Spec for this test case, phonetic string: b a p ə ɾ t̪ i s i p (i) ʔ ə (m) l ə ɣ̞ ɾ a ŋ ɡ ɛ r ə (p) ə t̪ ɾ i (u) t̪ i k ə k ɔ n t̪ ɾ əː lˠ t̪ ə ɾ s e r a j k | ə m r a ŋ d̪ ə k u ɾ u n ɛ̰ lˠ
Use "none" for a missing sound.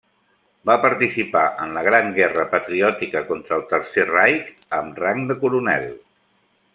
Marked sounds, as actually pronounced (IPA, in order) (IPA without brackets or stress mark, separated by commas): a, n, p, ɔ